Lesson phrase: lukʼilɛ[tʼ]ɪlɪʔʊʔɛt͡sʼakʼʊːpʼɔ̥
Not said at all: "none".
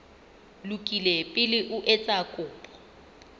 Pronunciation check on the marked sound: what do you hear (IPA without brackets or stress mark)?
pʼ